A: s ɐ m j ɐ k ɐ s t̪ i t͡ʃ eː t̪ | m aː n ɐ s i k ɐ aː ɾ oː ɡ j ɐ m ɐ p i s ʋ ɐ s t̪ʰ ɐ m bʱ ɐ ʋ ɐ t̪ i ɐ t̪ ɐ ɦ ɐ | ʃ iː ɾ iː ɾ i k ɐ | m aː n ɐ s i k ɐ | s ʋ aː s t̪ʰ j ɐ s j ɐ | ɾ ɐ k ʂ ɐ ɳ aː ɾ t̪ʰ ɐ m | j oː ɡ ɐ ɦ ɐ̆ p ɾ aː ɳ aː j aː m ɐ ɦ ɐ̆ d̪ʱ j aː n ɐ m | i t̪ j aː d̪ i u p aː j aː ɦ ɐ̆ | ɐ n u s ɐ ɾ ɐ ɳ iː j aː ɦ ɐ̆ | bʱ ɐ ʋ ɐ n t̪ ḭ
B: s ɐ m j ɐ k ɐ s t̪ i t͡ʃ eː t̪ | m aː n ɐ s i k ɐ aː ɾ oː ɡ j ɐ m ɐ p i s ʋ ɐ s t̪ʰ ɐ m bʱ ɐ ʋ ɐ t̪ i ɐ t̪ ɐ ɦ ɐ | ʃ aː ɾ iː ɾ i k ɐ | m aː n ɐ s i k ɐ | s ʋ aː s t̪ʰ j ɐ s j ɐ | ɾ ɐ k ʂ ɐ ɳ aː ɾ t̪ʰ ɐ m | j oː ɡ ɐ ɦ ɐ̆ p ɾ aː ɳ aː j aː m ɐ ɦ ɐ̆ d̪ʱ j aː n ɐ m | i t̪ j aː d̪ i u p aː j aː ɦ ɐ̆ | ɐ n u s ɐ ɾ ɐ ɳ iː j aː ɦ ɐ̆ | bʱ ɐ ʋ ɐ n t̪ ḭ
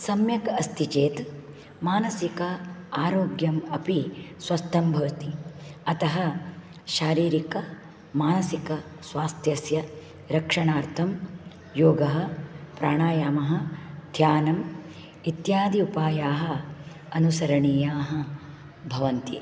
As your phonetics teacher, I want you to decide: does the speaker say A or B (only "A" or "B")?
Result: B